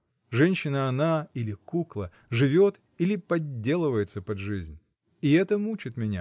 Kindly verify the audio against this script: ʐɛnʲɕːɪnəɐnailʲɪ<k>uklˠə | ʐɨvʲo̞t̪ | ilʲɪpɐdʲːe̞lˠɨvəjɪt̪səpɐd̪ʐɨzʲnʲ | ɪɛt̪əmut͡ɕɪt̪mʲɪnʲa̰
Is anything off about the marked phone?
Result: no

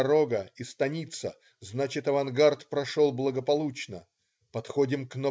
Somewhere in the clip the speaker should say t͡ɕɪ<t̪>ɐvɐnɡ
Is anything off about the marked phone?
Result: no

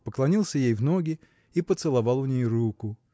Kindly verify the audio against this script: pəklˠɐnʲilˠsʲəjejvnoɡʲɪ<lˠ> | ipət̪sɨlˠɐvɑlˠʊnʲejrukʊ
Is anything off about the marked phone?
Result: yes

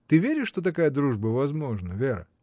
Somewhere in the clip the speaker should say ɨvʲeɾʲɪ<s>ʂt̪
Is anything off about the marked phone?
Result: yes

